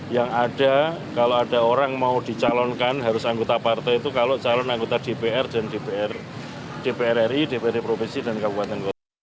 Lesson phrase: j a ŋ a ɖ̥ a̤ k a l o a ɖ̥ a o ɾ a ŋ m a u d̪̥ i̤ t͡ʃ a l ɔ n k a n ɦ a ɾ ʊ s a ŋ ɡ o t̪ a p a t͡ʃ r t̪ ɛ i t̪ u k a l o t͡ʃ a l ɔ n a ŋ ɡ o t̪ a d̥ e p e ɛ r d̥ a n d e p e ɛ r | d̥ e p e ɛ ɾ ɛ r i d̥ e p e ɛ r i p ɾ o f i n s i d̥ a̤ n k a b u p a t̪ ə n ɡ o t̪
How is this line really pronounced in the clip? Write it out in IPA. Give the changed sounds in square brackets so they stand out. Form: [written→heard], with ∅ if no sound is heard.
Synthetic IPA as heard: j a ŋ a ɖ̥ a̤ k a l o a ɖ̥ a o ɾ a ŋ m a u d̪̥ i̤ t͡ʃ a l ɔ n k a n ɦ a ɾ ʊ s a ŋ ɡ o t̪ a p a [t͡ʃ→∅] r t̪ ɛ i t̪ u k a l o t͡ʃ a l ɔ n a ŋ ɡ o t̪ a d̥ e p e ɛ r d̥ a n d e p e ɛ r | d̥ e p e ɛ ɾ ɛ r i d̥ e p e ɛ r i p ɾ o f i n s i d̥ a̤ n k a b u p a t̪ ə n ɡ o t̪